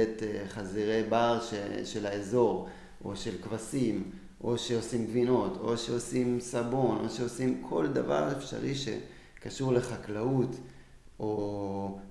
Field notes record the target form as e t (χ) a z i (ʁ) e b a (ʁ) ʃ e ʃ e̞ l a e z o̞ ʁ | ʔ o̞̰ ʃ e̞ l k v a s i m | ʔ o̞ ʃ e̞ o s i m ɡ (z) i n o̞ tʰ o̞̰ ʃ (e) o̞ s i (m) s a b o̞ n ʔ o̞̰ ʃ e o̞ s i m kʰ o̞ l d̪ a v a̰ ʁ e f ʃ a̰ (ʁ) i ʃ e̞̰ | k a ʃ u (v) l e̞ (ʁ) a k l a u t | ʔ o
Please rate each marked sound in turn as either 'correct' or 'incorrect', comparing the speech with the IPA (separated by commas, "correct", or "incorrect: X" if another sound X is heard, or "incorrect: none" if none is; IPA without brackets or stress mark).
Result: correct, correct, correct, incorrect: v, correct, correct, correct, incorrect: ʁ, incorrect: χ